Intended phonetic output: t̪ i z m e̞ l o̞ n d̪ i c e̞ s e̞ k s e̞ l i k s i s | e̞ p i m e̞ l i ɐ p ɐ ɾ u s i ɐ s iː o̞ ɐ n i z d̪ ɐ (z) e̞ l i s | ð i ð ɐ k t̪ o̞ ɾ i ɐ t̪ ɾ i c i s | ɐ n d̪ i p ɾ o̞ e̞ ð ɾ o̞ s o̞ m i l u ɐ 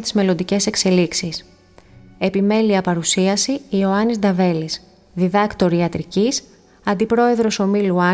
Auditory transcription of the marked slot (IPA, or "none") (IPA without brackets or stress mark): v